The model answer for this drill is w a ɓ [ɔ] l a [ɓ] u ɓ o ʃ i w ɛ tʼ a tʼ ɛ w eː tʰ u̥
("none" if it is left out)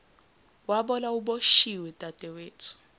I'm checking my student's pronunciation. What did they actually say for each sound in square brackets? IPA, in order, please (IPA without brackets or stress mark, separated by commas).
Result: ɔ, none